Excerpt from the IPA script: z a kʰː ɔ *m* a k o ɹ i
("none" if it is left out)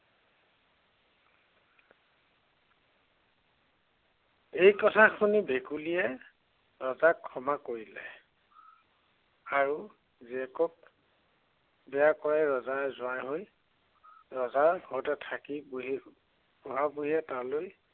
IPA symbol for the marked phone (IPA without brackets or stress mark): m